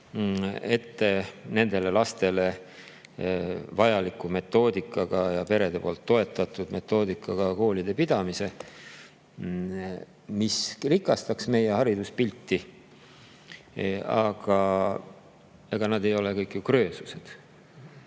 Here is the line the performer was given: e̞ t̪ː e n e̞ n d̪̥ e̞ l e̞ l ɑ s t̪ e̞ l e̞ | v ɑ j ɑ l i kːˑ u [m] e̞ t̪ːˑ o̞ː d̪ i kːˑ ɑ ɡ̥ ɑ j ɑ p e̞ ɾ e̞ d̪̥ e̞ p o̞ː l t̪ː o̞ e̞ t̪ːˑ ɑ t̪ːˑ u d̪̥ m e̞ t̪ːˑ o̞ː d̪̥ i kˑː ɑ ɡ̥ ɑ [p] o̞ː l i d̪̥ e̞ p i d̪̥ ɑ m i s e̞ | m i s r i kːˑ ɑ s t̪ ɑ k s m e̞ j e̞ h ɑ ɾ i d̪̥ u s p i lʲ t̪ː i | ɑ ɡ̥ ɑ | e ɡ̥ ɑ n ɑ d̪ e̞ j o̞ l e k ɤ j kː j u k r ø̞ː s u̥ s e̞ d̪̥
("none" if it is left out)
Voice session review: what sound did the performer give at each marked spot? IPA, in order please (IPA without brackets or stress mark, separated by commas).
m, k